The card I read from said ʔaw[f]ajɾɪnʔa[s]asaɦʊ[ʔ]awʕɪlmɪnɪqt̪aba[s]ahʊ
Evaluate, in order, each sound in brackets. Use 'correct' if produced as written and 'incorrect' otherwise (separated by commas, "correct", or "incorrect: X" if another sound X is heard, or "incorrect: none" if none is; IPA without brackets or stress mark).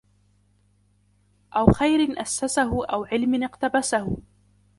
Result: incorrect: x, incorrect: sː, correct, correct